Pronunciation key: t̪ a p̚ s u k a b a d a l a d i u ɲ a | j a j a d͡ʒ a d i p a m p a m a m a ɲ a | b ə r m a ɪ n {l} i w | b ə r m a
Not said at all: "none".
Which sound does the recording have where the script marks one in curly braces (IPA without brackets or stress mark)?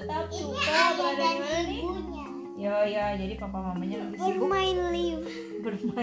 l